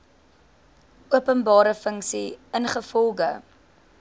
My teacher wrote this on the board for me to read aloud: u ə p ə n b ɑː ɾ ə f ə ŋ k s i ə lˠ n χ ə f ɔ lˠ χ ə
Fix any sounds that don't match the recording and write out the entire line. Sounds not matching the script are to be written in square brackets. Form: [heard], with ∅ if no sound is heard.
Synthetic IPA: u ə p ə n b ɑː ɾ ə f ə ŋ k s i ə [∅] n χ ə f ɔ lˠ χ ə